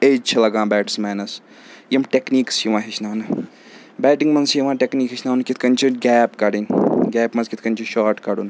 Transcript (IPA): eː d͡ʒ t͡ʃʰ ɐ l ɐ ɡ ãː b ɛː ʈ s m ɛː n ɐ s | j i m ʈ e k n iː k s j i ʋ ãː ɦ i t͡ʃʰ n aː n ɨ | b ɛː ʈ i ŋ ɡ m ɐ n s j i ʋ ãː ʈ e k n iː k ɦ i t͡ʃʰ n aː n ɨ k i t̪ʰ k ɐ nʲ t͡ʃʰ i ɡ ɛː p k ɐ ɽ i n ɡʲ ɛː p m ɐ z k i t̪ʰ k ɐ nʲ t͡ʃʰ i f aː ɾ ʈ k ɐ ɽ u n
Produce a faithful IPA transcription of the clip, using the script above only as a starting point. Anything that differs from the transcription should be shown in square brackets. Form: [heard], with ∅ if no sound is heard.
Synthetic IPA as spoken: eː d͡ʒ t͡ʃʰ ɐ l ɐ ɡ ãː b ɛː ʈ s m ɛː n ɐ s | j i m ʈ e k n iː k s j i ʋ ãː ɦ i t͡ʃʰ n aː n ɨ | b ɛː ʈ i ŋ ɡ m ɐ n s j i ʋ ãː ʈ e k n iː k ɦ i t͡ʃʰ n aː n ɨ k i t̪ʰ k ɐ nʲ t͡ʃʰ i ɡ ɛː p k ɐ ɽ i n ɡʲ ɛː p m ɐ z k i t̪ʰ k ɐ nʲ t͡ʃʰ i [ʃ] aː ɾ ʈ k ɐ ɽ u n